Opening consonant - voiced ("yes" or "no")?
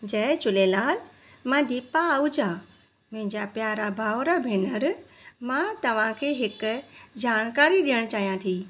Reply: yes